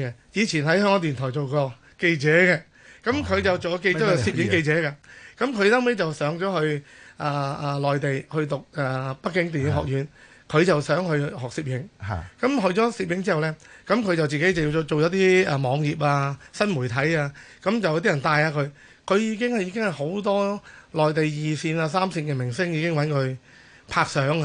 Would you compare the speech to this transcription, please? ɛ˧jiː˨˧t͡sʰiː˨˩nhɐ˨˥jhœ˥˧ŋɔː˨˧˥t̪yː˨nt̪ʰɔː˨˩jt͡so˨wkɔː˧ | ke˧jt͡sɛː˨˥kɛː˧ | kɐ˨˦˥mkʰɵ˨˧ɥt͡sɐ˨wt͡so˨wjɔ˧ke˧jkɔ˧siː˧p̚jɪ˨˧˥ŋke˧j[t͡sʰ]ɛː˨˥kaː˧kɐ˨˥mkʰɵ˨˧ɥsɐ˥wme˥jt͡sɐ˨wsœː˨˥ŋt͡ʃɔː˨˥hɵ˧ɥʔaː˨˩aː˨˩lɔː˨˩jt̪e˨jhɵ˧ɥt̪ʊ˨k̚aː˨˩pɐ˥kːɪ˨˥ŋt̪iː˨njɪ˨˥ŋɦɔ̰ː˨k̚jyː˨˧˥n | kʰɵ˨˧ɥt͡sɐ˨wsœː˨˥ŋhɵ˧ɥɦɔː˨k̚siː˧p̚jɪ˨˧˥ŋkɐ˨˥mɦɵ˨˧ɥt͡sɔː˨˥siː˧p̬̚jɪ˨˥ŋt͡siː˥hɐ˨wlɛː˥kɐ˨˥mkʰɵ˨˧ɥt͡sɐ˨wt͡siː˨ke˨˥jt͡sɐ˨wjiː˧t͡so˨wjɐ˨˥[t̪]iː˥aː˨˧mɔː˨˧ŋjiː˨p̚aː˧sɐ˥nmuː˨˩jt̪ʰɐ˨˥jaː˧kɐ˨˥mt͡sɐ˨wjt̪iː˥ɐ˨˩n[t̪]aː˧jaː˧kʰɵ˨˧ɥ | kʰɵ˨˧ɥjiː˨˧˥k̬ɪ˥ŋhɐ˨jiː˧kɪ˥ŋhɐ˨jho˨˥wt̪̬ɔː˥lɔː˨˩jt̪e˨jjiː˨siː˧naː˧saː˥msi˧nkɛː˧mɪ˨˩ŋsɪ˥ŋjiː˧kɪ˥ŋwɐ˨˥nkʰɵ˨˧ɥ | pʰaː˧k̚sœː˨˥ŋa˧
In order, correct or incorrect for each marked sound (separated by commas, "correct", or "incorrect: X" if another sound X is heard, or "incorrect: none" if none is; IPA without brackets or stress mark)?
incorrect: t͡s, correct, correct